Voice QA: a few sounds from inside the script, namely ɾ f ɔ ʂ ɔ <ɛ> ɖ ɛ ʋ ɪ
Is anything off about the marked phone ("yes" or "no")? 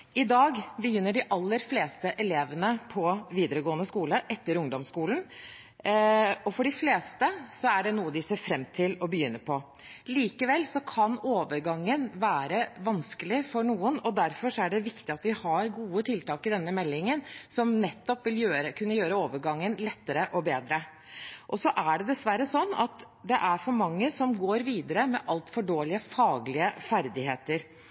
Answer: yes